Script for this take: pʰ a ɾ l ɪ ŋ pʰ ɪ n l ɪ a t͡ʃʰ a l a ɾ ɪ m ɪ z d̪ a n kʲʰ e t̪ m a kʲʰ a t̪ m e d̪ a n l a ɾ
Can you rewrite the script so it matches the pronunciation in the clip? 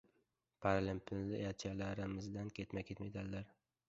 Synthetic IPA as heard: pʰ a ɾ l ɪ m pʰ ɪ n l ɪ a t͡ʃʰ a l a ɾ ɪ m ɪ z d̪ a n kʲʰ e t̪ m a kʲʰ e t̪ m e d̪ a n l a ɾ